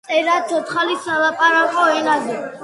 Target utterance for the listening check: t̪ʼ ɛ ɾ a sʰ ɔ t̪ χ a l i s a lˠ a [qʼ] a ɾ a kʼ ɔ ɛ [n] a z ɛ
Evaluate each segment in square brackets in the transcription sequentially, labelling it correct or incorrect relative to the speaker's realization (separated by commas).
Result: incorrect, correct